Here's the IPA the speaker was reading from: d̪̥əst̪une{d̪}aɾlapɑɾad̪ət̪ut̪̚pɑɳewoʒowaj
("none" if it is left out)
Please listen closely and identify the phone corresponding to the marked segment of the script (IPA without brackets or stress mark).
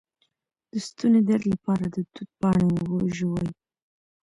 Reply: d̪